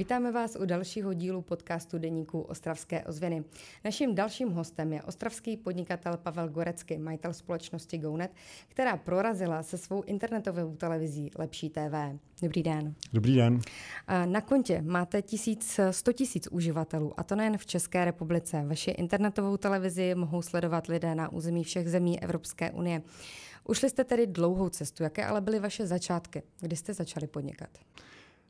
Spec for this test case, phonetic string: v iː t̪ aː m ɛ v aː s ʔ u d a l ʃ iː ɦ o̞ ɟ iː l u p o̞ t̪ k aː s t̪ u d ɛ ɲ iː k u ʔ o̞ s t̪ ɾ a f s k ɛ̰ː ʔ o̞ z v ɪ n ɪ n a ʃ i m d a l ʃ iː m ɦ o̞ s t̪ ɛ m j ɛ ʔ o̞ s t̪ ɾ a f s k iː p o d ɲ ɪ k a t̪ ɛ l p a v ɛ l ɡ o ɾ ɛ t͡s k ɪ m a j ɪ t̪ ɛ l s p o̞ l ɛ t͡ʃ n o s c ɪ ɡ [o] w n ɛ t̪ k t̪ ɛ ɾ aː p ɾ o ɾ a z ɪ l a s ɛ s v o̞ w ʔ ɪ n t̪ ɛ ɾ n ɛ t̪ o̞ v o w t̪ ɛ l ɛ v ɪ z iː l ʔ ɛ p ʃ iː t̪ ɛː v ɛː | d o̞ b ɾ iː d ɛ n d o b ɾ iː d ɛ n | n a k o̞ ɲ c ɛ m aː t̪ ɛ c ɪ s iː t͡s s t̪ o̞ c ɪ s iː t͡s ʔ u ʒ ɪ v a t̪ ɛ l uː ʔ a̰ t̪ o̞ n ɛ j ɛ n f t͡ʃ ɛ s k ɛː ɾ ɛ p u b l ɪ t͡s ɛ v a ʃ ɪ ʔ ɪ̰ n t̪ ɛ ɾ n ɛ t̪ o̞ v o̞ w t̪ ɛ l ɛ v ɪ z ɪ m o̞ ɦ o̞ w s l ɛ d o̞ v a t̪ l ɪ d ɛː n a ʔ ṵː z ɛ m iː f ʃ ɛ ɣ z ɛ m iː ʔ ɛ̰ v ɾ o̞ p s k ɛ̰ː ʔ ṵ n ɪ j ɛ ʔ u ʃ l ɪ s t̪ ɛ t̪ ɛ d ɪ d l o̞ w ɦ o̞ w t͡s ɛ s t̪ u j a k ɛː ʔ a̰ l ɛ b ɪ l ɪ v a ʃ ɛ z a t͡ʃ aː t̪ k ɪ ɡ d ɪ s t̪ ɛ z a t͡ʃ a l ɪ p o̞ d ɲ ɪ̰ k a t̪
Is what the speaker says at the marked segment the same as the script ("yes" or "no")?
yes